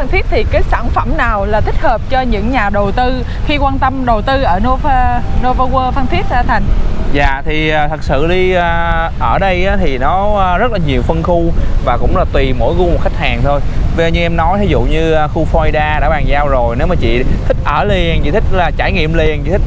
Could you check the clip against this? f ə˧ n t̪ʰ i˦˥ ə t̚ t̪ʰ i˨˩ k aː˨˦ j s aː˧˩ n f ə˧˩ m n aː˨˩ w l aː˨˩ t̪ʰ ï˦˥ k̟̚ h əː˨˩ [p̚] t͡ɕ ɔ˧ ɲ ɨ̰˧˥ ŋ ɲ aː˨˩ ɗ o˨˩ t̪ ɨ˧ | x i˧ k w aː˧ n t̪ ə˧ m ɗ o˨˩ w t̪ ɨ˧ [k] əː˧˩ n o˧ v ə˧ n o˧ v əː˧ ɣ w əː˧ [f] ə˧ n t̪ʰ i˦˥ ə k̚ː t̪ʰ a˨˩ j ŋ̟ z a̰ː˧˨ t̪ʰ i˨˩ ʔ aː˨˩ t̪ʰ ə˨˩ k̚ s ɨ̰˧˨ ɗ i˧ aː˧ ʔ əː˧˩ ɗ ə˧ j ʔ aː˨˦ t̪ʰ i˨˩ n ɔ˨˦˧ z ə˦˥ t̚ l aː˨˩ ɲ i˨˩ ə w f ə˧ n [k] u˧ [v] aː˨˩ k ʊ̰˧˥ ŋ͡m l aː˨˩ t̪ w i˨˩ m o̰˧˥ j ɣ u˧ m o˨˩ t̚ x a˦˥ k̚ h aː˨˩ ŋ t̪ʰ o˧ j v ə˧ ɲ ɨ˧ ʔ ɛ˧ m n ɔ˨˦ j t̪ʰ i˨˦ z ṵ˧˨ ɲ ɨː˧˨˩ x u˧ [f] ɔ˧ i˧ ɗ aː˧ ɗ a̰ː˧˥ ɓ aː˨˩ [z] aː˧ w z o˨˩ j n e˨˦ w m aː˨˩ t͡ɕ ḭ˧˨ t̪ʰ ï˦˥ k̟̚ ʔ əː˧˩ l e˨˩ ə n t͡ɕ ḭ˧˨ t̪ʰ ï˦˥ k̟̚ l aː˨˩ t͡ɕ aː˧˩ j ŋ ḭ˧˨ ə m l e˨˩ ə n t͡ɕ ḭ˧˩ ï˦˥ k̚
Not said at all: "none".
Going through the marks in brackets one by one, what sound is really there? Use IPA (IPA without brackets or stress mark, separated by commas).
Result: p̚, ʔ, f, x, v, f, z